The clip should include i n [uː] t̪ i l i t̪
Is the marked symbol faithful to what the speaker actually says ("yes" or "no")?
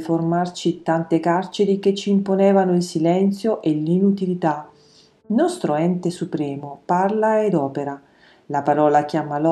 no